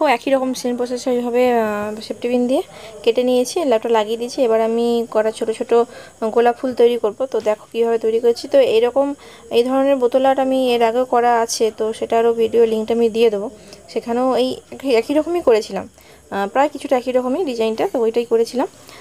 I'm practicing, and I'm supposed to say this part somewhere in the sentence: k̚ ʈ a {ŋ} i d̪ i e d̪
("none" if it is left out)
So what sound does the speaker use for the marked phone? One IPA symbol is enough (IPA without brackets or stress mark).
m